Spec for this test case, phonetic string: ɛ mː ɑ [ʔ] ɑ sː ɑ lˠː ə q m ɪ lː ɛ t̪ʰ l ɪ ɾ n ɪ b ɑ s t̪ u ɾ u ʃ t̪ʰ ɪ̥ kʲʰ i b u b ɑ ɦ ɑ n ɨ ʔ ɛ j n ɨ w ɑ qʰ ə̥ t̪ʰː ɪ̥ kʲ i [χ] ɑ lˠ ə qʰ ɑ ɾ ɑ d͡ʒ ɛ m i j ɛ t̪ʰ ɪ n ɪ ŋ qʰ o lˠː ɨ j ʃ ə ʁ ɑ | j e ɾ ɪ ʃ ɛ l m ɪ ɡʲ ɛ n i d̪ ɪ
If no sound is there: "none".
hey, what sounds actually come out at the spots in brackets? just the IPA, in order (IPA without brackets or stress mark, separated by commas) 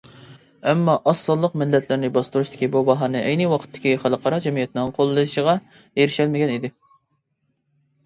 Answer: ʔ, χ